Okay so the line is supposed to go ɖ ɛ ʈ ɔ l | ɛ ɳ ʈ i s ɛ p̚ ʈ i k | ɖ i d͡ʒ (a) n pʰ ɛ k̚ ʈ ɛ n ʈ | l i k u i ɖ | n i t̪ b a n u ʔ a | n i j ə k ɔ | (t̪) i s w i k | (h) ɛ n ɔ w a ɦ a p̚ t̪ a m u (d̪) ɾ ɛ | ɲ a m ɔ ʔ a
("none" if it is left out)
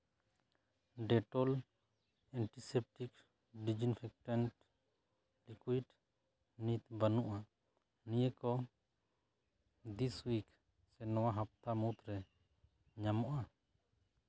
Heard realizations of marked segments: i, d̪, s, t̪

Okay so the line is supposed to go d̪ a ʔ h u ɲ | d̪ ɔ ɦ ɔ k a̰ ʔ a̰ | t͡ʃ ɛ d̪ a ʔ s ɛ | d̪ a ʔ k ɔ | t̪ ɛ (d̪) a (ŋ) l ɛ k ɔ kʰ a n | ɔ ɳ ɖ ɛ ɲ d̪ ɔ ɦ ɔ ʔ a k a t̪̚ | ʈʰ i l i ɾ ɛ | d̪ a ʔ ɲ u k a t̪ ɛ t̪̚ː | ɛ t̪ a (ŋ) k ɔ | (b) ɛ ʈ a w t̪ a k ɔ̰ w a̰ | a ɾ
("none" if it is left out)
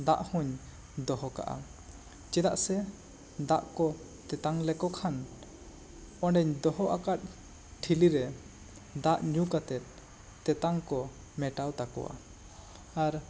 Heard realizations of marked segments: t̪, ŋ, ŋ, m

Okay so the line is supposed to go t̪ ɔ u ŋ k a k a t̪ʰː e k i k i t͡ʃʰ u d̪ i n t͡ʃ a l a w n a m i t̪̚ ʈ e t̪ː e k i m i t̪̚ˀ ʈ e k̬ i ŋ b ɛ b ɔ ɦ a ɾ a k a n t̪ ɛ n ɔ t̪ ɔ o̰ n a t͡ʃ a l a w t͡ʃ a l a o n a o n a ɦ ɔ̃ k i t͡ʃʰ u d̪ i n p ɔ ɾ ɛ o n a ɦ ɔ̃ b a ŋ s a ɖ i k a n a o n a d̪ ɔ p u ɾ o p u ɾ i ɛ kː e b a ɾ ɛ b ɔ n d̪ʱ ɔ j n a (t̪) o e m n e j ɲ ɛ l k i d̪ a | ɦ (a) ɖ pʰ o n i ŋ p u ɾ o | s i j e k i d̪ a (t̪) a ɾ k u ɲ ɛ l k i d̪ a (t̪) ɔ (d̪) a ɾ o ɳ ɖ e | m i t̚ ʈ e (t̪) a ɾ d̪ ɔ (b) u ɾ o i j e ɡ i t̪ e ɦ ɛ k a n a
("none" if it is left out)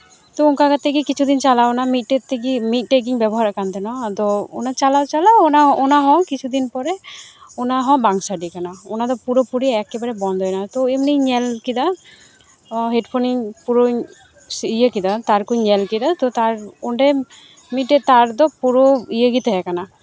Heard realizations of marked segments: t̪, e, t̪, t̪, t̪, t̪, p

